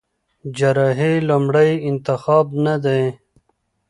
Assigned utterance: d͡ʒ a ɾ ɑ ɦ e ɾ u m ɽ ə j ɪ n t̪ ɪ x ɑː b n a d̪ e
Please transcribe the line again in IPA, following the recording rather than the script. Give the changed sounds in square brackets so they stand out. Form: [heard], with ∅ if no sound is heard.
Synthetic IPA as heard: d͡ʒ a ɾ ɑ ɦ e [l] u m ɽ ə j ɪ n t̪ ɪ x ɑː b n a d̪ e